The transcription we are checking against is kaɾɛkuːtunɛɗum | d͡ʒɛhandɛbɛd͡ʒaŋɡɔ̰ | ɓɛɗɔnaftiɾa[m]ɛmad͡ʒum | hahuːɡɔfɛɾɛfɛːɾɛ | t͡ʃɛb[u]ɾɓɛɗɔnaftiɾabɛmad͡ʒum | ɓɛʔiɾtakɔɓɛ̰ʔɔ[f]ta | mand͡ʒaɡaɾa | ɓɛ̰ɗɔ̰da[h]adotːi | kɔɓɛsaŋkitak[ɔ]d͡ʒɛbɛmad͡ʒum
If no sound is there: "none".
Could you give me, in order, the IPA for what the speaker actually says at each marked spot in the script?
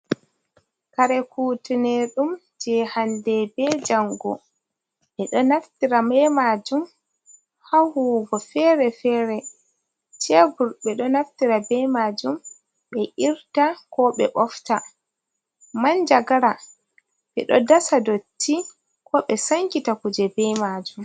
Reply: m, u, f, s, u

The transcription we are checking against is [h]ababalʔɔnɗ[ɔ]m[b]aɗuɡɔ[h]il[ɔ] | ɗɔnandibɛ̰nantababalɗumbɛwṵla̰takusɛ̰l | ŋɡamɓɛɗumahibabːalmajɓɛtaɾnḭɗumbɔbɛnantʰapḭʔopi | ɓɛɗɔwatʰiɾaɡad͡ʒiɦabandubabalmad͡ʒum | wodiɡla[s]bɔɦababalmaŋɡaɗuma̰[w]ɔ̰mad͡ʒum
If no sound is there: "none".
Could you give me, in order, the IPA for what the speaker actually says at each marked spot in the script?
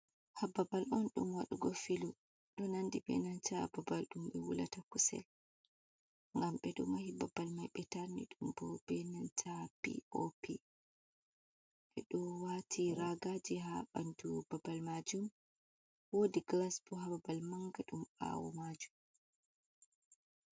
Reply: h, u, w, f, u, s, w

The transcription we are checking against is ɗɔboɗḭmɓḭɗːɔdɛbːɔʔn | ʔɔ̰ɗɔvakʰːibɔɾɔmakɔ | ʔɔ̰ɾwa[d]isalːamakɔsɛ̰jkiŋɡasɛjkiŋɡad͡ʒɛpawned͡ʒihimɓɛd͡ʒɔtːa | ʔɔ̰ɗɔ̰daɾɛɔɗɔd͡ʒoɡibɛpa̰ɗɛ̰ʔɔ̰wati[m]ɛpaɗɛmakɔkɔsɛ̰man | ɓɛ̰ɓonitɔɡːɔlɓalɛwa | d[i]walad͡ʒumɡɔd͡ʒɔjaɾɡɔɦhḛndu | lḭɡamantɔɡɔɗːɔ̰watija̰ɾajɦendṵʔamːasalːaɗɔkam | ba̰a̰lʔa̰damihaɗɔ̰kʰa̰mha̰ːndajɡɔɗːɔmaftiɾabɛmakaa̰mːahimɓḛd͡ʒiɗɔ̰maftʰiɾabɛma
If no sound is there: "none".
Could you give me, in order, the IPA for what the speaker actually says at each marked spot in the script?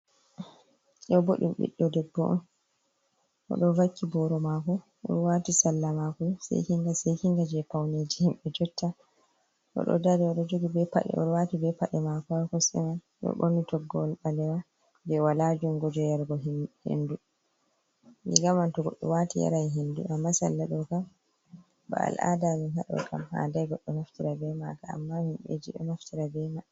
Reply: t, b, ɛ

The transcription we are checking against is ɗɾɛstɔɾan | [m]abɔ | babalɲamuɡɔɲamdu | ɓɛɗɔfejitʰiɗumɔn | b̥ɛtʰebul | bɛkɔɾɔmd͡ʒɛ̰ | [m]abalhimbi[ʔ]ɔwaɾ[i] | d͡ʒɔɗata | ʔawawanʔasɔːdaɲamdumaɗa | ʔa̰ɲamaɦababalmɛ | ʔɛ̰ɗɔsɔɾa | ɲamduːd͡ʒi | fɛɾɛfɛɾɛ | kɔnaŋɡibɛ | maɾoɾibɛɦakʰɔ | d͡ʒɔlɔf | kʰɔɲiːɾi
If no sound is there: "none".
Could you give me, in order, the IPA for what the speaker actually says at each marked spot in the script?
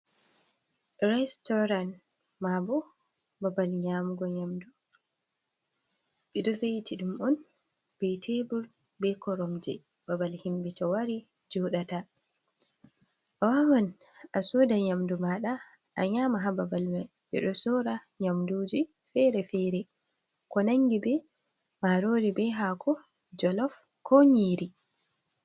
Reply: m, b, t, i

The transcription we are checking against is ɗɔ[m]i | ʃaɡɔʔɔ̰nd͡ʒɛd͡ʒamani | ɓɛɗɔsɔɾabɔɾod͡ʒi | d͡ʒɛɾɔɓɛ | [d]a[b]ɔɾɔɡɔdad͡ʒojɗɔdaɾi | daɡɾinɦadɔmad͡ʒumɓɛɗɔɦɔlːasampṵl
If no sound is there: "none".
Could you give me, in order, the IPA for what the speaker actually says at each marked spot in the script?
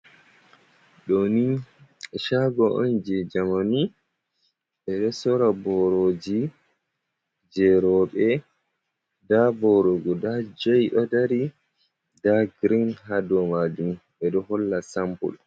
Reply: n, d, b

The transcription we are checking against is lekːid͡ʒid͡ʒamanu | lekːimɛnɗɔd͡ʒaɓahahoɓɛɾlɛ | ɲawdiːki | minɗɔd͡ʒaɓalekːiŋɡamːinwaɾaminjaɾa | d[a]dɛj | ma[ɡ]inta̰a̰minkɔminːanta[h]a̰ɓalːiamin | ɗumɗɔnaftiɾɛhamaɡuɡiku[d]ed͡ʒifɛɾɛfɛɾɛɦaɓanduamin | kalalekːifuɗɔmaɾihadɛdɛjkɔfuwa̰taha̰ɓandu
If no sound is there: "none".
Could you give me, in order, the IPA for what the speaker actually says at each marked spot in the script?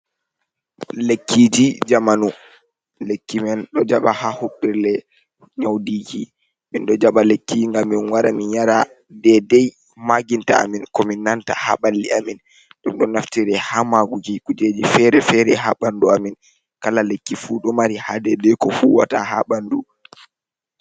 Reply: ɛ, ɡ, h, d͡ʒ

